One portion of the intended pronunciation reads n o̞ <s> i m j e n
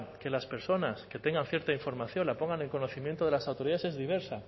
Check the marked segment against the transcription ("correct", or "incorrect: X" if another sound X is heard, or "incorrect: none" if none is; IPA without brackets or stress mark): incorrect: θ